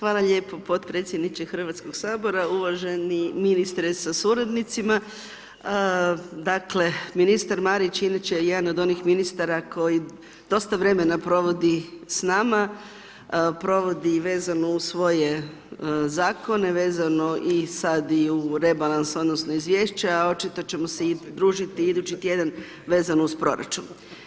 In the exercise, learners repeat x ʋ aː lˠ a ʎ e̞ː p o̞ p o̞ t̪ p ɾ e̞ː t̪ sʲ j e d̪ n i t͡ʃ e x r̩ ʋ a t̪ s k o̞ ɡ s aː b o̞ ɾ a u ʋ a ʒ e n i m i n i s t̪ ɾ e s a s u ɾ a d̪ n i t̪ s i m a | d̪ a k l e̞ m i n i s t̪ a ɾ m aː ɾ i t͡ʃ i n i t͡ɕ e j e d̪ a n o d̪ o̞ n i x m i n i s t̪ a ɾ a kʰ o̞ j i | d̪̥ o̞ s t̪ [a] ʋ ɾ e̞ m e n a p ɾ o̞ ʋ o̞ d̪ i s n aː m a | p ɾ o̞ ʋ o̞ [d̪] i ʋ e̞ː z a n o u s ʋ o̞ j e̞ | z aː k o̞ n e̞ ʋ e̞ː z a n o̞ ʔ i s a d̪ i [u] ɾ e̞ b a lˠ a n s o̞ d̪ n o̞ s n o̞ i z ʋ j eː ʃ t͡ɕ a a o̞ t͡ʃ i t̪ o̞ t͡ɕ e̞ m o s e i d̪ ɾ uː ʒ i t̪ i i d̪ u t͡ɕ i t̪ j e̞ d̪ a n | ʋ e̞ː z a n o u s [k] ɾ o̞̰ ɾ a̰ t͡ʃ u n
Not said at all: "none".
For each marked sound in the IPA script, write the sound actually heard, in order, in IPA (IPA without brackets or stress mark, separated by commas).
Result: a, d̪, u, p